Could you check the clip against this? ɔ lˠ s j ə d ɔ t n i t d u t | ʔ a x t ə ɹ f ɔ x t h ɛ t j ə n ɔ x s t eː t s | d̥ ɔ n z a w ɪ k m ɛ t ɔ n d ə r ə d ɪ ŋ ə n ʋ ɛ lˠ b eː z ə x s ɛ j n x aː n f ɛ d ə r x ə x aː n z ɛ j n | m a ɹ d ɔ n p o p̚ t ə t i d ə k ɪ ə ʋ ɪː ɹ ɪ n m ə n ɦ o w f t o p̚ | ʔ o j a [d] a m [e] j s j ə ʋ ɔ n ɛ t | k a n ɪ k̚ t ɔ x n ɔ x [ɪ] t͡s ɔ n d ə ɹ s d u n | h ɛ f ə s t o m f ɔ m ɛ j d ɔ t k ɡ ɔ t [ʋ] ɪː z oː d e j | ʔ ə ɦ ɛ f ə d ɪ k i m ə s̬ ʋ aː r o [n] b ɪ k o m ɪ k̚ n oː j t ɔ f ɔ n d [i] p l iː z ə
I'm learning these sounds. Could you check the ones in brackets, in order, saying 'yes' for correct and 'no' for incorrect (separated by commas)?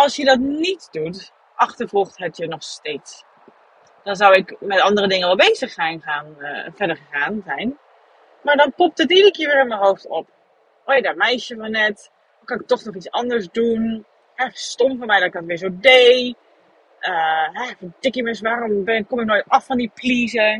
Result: yes, no, no, yes, no, yes